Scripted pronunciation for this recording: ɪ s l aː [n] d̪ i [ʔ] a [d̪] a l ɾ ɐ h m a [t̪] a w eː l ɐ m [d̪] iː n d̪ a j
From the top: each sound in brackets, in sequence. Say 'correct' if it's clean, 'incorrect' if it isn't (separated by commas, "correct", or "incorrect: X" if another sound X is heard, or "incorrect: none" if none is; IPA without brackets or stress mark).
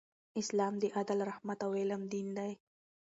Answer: incorrect: m, correct, correct, correct, correct